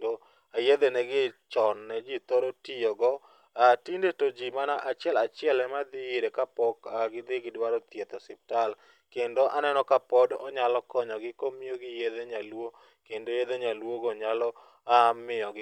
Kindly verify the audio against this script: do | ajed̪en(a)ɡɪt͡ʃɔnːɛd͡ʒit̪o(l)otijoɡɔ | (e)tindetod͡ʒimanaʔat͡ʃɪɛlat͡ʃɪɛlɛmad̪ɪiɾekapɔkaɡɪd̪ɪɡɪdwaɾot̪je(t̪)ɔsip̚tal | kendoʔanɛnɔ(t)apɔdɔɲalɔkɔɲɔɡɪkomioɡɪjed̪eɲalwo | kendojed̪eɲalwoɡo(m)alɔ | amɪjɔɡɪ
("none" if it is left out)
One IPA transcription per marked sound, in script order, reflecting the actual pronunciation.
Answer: ɛ, ɾ, a, t̪, k, ɲ

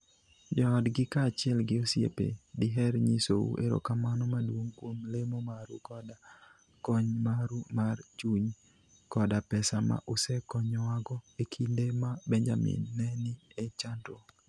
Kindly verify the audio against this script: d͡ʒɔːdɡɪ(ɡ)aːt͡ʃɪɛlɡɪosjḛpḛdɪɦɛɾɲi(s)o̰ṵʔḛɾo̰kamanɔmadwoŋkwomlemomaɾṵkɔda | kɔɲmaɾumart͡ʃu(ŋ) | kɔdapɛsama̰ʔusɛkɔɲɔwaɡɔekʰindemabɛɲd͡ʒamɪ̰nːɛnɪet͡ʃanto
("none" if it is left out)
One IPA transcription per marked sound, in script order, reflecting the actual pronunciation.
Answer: k, s, ɲ

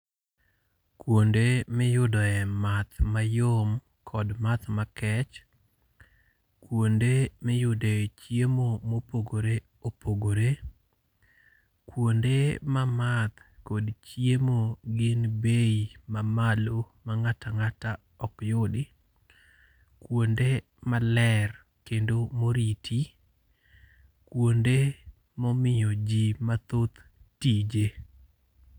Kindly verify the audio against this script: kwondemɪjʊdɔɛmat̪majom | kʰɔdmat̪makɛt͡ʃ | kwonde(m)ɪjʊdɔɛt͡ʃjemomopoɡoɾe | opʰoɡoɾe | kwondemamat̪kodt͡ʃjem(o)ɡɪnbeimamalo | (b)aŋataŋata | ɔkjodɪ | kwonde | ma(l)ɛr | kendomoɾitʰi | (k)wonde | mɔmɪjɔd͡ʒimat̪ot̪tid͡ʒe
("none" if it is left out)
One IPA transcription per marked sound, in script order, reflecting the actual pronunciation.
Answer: m, o, m, l, k

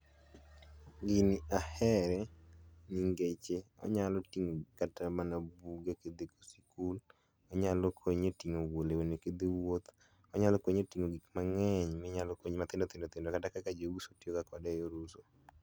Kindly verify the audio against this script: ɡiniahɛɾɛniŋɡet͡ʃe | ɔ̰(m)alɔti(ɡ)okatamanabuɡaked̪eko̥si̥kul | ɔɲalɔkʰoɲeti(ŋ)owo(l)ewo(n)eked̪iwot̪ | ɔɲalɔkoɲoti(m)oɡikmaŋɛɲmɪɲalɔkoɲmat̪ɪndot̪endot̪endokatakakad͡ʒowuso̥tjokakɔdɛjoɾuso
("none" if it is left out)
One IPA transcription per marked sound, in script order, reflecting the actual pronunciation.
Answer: ɲ, ŋ, ŋ, l, n, ŋ

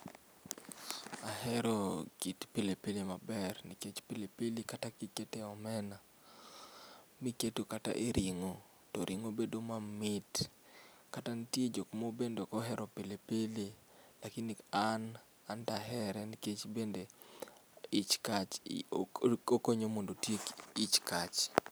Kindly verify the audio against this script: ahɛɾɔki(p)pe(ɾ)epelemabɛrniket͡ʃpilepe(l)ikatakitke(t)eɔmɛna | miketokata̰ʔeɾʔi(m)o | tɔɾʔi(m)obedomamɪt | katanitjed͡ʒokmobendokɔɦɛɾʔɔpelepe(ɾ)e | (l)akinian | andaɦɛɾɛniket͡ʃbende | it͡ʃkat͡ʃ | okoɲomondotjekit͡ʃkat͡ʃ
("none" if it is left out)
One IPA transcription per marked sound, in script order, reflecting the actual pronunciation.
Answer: t, l, l, t, ŋ, ŋ, l, l

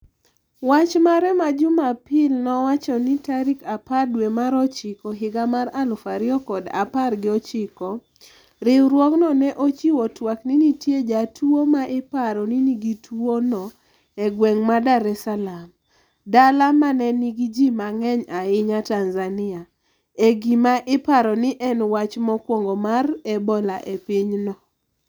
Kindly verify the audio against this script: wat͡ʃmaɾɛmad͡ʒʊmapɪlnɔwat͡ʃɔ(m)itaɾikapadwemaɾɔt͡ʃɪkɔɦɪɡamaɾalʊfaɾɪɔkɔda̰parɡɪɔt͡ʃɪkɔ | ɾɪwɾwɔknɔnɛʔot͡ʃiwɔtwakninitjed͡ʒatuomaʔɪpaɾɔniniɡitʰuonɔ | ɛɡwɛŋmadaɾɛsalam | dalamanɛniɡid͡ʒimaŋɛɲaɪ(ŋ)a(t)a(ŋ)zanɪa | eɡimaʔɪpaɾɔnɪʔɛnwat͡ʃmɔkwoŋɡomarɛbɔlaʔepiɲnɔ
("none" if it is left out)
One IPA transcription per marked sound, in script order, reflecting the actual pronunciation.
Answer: n, ɲ, t, n

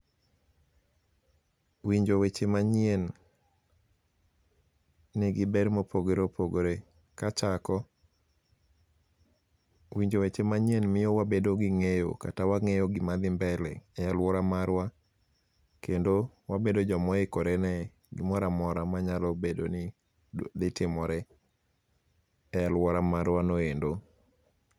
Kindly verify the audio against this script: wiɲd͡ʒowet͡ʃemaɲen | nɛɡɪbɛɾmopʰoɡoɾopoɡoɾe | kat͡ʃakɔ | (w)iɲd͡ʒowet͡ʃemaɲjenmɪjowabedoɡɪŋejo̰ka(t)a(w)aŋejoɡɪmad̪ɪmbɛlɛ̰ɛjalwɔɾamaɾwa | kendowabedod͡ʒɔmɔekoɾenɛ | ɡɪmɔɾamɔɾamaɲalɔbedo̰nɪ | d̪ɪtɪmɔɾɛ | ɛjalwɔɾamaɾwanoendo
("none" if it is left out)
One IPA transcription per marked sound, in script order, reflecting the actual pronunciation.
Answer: w, t, w

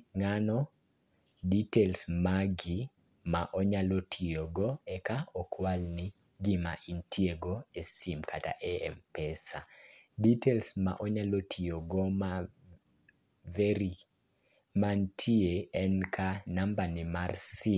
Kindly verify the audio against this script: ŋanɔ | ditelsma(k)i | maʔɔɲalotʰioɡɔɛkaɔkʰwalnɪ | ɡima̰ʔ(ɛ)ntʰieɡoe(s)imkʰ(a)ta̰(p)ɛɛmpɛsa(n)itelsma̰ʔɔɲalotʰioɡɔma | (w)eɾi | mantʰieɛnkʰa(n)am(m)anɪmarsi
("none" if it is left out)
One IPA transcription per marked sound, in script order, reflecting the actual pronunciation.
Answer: ɡ, i, s, a, ʔ, d, v, n, b

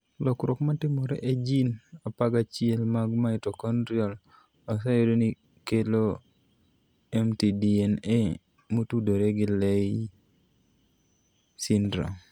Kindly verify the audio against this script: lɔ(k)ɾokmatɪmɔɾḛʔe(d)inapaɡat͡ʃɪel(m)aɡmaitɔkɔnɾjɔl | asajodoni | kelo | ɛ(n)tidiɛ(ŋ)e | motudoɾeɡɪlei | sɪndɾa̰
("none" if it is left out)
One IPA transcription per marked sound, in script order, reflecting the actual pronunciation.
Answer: k, d͡ʒ, m, m, n

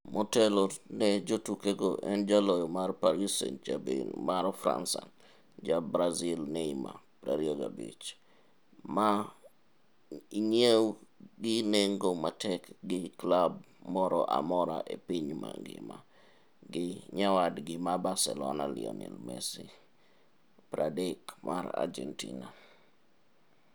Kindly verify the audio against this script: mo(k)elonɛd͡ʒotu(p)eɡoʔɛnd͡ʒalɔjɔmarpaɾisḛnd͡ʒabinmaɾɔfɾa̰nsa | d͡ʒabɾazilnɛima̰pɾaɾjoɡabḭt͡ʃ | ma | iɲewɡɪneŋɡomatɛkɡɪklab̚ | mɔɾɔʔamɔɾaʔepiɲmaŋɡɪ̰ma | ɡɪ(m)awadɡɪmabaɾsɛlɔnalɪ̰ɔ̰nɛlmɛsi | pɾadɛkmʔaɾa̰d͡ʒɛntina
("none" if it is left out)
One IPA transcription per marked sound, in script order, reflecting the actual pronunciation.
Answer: t, k, ɲ

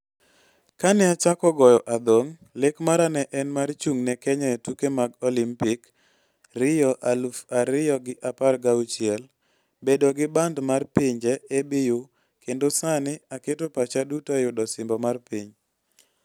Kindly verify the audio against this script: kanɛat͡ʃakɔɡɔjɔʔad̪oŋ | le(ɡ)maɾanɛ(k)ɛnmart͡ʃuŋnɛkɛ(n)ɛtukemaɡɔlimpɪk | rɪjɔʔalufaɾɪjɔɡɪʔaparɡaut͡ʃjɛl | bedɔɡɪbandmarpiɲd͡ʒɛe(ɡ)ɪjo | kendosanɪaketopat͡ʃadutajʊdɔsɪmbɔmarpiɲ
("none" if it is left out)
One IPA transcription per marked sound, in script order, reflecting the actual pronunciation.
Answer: k, ʔ, ɲ, b

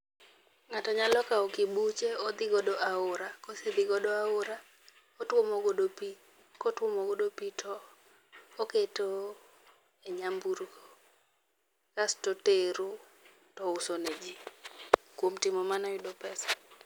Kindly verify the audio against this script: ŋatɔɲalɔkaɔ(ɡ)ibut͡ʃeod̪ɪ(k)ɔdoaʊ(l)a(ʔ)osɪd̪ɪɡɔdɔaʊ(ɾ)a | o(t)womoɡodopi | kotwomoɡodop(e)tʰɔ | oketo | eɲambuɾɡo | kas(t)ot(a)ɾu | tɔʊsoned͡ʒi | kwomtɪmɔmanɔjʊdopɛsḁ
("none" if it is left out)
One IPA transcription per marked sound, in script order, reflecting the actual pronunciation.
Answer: k, ɡ, ɾ, k, ɾ, t, i, t, e

